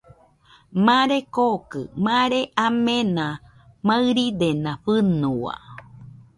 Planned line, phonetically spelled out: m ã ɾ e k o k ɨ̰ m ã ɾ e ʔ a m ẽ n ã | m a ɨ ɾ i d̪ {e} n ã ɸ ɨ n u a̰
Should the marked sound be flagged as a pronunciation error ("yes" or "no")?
no